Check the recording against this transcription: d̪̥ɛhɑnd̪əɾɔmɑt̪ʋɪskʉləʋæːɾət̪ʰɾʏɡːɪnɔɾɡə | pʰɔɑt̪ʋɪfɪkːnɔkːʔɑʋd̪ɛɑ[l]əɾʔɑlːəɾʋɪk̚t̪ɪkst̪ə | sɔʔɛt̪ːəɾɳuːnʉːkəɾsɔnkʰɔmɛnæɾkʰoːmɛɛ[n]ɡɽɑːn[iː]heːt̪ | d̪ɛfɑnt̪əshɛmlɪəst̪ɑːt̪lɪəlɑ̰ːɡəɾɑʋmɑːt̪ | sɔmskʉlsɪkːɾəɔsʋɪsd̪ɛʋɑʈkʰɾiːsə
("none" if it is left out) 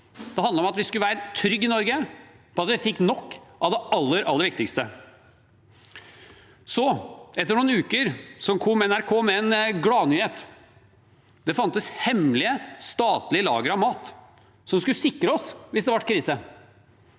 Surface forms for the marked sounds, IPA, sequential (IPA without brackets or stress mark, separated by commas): lː, n, yː